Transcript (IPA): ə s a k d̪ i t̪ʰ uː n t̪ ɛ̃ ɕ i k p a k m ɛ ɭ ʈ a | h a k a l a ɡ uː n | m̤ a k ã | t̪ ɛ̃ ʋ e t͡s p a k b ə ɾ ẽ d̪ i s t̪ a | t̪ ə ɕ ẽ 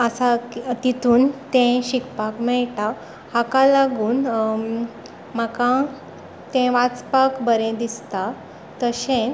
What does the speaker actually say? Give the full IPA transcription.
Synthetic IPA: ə s a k t̪ i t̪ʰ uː n t̪ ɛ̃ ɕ i k p a k m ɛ ɭ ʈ a | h a k a l a ɡ uː n | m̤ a k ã | t̪ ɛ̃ ʋ a t͡s p a k b ə ɾ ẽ d̪ i s t̪ a | t̪ ə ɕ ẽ